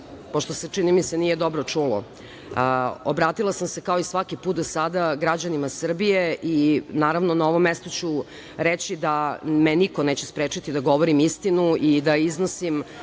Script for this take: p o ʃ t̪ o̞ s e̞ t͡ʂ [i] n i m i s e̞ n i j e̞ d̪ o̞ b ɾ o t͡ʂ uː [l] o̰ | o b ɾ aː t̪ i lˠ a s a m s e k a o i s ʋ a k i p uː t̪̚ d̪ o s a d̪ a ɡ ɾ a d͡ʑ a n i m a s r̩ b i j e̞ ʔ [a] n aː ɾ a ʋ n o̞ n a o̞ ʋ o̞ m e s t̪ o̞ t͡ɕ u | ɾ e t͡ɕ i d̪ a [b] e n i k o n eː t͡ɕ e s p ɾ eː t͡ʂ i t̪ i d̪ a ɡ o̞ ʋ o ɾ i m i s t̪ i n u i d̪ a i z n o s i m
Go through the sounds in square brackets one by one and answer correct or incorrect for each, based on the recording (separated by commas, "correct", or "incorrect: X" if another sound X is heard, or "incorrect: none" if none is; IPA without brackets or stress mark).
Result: correct, correct, incorrect: i, incorrect: m